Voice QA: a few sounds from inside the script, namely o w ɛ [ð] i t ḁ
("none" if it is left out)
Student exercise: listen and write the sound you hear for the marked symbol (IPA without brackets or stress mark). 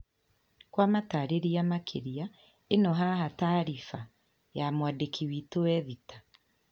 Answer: ð